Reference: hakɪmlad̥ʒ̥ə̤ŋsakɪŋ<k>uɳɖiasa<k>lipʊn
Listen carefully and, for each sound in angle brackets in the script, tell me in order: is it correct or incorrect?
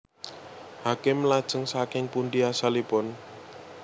incorrect, incorrect

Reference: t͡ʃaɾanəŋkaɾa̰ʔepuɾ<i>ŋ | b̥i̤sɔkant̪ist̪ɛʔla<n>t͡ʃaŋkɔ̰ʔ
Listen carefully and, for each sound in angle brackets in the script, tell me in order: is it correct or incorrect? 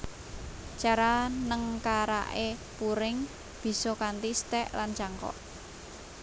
incorrect, correct

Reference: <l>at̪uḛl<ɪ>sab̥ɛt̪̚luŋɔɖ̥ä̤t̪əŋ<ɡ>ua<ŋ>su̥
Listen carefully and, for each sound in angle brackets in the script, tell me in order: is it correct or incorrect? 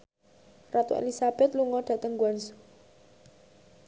incorrect, incorrect, correct, incorrect

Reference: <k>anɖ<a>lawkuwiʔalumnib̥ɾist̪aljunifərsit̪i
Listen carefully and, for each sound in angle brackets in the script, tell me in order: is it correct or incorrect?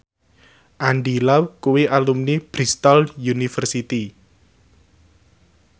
incorrect, incorrect

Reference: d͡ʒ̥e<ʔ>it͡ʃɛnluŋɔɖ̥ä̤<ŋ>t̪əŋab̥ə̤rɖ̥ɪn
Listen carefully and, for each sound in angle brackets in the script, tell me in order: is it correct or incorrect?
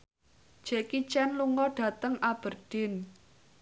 incorrect, incorrect

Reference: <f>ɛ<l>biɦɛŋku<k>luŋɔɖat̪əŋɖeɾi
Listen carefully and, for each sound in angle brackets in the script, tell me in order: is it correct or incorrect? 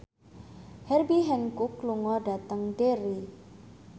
incorrect, incorrect, correct

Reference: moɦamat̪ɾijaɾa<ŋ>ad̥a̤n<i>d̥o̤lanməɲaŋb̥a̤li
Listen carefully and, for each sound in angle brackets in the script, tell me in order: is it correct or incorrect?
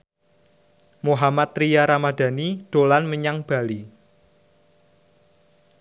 incorrect, correct

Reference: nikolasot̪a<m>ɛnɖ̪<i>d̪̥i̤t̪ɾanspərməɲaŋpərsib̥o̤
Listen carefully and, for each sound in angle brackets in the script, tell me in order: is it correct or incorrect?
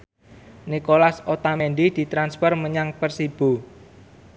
correct, correct

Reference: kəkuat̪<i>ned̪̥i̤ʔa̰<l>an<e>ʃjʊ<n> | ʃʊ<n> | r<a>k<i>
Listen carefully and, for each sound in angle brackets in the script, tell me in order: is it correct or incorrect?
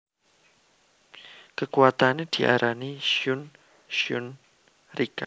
incorrect, incorrect, incorrect, correct, correct, incorrect, incorrect

